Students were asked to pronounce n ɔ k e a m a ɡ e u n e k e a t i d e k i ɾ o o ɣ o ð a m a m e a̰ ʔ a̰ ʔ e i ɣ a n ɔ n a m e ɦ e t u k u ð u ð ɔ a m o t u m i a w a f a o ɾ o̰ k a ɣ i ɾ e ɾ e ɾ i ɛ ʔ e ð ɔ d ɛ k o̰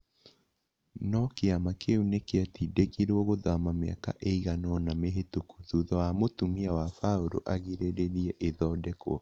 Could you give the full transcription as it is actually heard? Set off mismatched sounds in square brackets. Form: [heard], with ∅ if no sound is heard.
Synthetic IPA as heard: n ɔ k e a m a [k] e u n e k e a t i d e k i ɾ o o ɣ o ð a m a m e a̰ [k] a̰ ʔ e i ɣ a n ɔ n a m e ɦ e t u k u ð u ð ɔ a m o t u m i a w a f a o ɾ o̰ [ʔ] a ɣ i ɾ e ɾ e ɾ i ɛ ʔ e ð ɔ d ɛ k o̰